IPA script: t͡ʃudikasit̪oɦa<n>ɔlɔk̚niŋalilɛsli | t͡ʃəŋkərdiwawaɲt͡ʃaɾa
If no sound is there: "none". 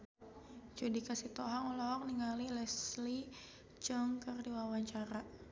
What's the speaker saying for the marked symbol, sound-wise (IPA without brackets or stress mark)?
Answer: ŋ